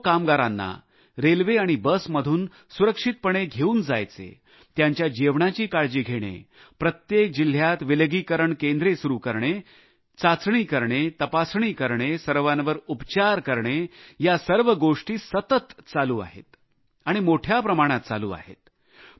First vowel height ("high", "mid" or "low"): low